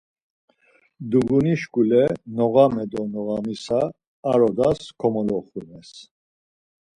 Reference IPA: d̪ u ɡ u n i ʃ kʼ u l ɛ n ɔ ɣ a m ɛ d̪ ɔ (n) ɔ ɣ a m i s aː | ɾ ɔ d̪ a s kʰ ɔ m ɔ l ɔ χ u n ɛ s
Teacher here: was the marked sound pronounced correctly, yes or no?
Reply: yes